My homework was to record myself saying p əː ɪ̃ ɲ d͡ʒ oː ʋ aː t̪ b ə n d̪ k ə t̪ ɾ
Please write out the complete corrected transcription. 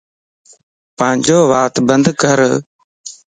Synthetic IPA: p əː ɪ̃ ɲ d͡ʒ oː ʋ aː t̪ b ə n d̪ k ə ɾ